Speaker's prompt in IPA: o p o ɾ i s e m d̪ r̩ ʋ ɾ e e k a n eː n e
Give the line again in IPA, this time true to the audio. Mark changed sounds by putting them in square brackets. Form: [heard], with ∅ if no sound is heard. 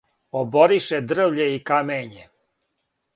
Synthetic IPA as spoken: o [b] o ɾ i [ʃ] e [∅] d̪ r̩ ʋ [ʎ] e [i] k a [m] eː [ɲ] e